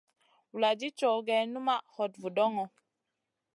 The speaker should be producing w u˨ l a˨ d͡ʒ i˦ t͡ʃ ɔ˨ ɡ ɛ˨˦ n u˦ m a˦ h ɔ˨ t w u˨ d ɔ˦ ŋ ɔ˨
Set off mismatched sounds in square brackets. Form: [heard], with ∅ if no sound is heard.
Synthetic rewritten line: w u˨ l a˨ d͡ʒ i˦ t͡ʃ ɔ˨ ɡ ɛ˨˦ n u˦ m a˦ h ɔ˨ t [v] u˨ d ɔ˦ ŋ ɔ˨

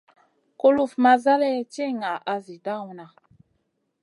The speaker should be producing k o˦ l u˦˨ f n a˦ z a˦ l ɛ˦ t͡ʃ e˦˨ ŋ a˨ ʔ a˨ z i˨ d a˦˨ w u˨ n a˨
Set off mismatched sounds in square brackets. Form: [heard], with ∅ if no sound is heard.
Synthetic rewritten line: k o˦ l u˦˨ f [m] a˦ z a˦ l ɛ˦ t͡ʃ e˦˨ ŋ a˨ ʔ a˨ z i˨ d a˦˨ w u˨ n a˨

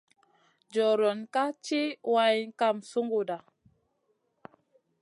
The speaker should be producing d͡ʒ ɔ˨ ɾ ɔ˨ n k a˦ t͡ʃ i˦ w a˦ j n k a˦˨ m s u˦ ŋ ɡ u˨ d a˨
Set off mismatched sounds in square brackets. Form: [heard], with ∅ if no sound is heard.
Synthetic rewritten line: d͡ʒ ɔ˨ ɾ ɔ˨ n k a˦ t͡ʃ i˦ w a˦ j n k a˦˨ m s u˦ ŋ ɡ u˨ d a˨

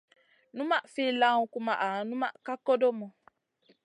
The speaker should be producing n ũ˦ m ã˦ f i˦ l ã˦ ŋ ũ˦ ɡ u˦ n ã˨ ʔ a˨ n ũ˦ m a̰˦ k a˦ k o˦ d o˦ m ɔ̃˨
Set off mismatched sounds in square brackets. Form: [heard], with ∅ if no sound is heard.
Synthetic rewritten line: n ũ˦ m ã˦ f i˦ l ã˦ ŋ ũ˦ [k] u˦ [m] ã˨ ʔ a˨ n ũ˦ m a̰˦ k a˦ k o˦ d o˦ m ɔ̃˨

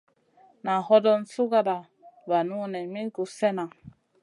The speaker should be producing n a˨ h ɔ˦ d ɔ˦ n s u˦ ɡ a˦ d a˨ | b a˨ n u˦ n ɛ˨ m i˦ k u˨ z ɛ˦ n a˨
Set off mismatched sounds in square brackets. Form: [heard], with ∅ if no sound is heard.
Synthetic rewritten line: n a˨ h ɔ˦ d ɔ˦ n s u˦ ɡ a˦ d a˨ | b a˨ n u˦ n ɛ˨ m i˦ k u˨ [s] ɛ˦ n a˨

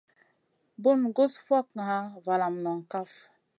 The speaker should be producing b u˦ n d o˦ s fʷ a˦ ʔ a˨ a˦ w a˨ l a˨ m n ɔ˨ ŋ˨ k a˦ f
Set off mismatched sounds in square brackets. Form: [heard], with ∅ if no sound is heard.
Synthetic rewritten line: b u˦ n [ɡ] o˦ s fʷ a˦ [k] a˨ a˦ [v] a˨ l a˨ m n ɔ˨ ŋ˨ k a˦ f

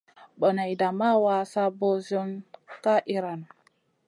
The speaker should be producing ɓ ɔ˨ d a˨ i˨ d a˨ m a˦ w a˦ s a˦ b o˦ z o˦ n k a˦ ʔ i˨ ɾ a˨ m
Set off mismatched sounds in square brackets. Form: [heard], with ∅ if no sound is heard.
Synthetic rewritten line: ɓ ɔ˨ [n] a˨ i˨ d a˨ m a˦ w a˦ s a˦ b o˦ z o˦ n k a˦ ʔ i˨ ɾ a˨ [n]

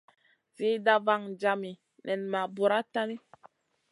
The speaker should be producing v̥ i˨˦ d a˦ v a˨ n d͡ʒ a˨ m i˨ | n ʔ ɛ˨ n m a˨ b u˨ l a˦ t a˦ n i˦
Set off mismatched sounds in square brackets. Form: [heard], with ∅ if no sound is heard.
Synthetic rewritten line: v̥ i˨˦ d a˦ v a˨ [ŋ] d͡ʒ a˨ m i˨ | n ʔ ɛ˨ n m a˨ b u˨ [ɾ] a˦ t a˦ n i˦

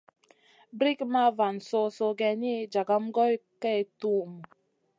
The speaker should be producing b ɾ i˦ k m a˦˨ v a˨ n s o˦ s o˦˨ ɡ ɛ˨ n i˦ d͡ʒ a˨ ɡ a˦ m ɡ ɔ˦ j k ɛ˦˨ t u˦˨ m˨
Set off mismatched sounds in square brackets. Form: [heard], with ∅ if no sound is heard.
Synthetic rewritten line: b ɾ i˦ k m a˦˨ v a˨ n s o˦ s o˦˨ ɡ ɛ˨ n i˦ d͡ʒ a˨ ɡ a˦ m ɡ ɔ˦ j k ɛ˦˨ t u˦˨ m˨

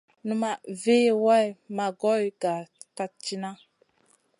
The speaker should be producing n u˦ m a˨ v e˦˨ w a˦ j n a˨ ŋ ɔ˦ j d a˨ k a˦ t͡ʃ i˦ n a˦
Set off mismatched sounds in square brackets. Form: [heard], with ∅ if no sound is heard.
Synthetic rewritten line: n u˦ m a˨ v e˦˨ w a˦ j [m] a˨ [ɡ] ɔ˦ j [ɡ] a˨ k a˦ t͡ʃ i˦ n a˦

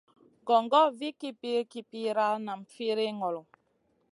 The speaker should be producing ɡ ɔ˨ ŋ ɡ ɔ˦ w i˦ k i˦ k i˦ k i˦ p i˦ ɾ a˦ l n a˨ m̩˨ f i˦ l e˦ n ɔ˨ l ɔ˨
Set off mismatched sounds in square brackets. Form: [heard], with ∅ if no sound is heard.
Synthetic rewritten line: ɡ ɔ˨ ŋ ɡ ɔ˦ [v] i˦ k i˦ [p] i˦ k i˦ p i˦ ɾ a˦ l n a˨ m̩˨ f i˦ [ɾ] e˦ [ŋ] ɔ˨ l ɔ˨

